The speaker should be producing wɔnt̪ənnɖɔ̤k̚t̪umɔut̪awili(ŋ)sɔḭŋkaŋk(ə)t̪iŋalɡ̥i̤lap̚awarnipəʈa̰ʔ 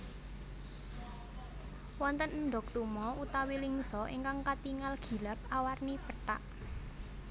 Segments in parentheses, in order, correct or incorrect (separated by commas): correct, incorrect